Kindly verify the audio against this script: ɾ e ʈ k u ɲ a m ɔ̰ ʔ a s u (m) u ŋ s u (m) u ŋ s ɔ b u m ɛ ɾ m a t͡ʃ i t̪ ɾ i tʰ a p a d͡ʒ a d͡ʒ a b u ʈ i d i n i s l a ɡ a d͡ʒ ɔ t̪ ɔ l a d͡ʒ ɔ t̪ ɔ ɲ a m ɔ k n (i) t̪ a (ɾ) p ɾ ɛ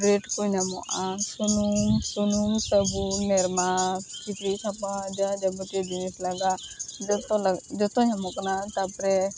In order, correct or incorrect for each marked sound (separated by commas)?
incorrect, incorrect, incorrect, incorrect